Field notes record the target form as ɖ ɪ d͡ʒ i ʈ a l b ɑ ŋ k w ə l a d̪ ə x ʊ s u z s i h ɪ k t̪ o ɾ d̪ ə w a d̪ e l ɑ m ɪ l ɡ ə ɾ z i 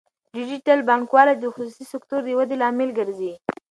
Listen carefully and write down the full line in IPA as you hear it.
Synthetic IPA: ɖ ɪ d͡ʒ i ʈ a l b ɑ ŋ k w ɑ l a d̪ ə x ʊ s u s i s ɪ k t̪ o ɾ d̪ ə w a d̪ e l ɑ m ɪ l ɡ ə ɾ z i